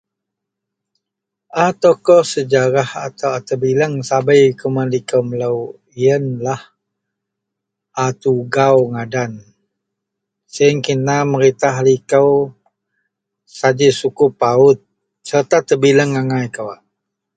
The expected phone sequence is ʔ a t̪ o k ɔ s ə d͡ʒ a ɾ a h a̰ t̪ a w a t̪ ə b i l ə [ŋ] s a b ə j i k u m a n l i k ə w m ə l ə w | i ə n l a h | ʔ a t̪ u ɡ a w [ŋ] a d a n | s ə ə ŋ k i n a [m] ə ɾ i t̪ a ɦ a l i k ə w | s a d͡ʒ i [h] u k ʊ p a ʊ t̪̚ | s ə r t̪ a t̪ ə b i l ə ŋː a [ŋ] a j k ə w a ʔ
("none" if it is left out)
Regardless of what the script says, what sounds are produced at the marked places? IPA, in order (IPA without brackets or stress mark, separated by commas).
ŋ, ŋ, m, s, ŋ